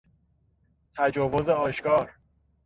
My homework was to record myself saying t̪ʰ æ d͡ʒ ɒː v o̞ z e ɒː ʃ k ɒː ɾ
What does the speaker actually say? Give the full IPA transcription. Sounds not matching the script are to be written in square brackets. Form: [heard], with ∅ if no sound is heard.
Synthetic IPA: t̪ʰ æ d͡ʒ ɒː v o̞ z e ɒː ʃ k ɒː ɾ